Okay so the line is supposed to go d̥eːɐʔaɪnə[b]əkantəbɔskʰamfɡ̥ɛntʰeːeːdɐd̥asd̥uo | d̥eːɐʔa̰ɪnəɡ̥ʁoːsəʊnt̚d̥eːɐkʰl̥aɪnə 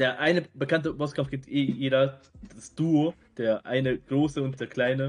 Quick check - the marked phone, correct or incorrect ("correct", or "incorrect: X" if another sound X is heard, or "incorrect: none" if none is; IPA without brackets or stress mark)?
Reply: correct